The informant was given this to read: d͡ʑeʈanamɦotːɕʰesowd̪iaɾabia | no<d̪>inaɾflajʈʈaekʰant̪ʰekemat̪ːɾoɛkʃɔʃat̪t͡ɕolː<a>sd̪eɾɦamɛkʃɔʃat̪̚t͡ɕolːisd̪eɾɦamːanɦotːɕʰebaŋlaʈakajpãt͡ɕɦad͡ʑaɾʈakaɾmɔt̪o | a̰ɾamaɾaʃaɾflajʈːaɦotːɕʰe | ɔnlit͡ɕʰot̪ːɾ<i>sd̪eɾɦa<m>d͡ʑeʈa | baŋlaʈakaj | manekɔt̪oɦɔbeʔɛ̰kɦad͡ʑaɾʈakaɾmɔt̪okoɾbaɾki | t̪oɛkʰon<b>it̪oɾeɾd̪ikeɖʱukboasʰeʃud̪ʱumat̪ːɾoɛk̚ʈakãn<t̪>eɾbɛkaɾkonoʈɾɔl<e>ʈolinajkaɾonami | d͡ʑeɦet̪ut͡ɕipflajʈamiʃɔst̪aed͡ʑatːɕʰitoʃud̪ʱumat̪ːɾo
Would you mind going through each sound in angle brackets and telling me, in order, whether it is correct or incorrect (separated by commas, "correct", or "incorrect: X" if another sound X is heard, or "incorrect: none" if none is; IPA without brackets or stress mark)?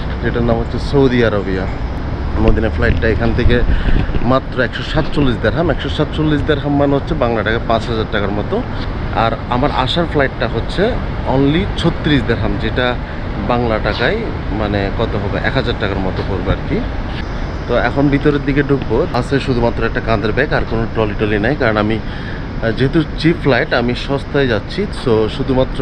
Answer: correct, incorrect: i, correct, correct, correct, incorrect: d̪, incorrect: i